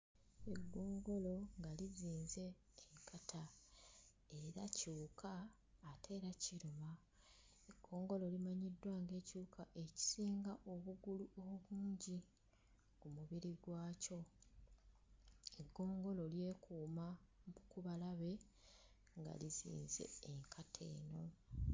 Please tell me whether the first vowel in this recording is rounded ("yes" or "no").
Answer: no